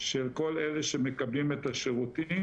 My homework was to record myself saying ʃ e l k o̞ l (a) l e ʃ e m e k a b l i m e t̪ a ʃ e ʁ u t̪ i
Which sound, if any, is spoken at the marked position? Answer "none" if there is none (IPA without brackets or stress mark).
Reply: e